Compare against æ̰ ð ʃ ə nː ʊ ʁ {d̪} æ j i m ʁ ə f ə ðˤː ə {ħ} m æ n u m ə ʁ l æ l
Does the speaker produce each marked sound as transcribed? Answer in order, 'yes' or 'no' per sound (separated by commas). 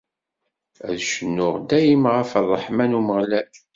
yes, yes